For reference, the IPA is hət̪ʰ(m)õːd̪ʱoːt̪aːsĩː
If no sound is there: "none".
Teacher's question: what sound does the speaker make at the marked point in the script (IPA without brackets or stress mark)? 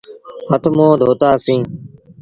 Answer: m